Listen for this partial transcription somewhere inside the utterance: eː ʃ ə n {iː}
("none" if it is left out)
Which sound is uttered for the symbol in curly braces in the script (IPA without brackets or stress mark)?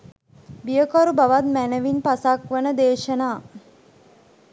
aː